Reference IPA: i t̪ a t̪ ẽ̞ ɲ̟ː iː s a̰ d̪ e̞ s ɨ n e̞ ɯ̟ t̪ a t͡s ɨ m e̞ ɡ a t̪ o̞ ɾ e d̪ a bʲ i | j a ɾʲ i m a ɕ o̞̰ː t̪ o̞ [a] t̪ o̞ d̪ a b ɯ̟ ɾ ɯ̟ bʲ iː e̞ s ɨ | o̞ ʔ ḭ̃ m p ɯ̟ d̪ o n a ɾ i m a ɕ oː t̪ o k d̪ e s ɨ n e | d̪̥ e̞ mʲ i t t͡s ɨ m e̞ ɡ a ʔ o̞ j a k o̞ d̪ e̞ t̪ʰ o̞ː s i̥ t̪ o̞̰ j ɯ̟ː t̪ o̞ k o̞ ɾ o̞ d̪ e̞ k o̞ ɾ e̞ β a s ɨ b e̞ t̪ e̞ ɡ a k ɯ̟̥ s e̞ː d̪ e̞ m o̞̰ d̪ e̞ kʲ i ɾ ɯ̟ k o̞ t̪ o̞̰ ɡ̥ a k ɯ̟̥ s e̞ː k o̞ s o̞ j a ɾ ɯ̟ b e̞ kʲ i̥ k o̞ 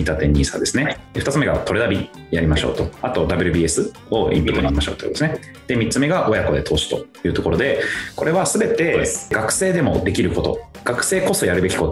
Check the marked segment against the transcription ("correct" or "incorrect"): correct